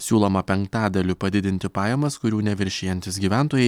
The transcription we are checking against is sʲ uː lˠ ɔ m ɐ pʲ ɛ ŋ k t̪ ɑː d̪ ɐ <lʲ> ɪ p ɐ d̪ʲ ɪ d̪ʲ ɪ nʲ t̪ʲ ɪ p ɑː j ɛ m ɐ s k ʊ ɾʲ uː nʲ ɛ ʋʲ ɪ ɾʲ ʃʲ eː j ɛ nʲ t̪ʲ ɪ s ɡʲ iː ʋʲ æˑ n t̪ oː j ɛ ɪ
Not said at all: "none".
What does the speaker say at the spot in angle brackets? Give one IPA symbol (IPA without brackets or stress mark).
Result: lʲ